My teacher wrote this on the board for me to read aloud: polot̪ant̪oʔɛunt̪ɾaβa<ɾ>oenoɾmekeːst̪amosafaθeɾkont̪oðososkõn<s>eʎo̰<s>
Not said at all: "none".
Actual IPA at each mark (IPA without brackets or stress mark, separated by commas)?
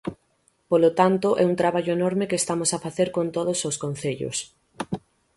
ʎ, θ, s